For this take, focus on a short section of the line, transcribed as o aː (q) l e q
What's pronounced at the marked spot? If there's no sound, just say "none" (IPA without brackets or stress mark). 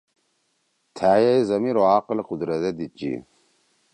q